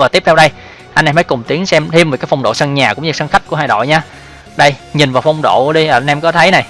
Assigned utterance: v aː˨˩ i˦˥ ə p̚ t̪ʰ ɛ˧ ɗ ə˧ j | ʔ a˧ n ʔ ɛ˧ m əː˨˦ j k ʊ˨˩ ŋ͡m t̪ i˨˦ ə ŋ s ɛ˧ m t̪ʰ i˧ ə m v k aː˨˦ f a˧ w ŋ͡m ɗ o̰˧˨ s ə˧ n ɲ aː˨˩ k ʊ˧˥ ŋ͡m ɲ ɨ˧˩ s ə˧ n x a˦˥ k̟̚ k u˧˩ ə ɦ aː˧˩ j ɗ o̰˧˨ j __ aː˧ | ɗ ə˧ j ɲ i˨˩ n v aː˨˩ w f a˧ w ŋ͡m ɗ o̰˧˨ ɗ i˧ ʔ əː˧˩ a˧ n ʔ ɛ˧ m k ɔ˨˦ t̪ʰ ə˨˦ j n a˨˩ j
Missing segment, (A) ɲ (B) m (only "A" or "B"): A